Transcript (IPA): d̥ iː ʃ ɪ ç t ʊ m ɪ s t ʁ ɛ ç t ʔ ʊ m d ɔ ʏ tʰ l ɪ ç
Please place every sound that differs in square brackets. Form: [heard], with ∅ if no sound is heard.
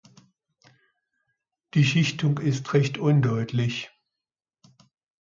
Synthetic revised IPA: d̥ iː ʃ ɪ ç t ʊ [ŋ] ɪ s t ʁ ɛ ç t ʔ ʊ [n] d ɔ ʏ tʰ l ɪ ç